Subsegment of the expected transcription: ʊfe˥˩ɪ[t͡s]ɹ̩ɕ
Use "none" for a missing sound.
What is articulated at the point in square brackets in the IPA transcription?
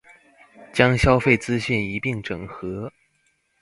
t͡s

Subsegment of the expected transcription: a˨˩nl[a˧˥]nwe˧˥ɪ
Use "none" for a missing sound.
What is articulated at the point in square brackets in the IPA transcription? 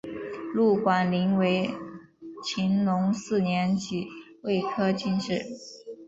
i˧˥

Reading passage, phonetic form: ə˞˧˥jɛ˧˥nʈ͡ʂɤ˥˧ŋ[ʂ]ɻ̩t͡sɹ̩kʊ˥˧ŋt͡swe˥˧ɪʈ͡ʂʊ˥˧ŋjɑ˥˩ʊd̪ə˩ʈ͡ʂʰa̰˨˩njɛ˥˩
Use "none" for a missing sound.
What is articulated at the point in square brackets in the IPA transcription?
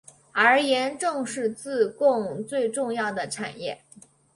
ʂ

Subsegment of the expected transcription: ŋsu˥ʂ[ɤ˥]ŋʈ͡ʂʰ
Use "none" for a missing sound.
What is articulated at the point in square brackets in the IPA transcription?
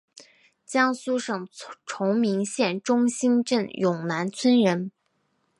ɤ˨˩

